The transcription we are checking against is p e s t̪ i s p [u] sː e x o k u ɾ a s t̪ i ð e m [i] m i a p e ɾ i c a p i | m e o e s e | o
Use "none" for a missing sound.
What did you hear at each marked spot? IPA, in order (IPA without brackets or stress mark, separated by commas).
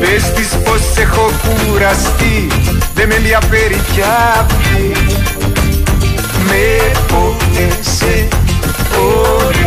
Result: o, e